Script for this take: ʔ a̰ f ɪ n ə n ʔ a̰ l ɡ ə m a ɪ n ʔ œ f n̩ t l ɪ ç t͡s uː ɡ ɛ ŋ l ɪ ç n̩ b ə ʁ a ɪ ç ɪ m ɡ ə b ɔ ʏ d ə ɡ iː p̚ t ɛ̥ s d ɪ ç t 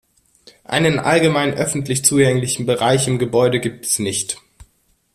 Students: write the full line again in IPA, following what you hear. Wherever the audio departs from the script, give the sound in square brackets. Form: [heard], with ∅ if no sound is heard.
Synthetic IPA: ʔ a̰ [∅] ɪ n ə n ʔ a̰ l ɡ ə m a ɪ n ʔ œ f n̩ t l ɪ ç t͡s uː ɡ ɛ ŋ l ɪ ç n̩ b ə ʁ a ɪ ç ɪ m ɡ ə b ɔ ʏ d ə ɡ iː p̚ t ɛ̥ s [n] ɪ ç t